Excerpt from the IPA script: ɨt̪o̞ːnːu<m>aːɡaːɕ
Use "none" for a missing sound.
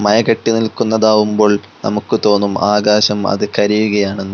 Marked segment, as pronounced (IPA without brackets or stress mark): m